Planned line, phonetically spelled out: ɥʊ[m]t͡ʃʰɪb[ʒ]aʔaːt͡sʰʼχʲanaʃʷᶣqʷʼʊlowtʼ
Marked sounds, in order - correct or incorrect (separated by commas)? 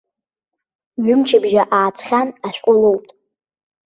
correct, correct